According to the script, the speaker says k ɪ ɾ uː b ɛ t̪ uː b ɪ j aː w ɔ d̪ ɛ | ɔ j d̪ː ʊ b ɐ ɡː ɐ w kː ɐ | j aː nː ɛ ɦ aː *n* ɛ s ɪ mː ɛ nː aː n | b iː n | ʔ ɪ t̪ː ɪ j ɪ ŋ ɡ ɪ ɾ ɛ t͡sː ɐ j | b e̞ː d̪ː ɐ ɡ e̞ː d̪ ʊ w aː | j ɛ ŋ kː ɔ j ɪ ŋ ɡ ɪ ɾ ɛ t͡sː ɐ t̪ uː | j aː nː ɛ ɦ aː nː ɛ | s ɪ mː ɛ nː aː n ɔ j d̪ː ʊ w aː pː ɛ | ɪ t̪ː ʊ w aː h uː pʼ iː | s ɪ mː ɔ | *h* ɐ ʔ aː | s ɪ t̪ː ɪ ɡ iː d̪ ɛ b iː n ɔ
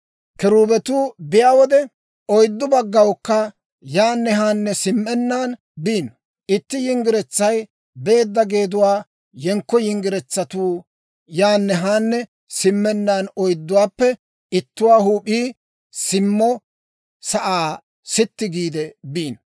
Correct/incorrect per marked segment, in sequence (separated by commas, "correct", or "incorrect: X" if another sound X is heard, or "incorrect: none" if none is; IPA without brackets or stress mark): incorrect: nː, incorrect: s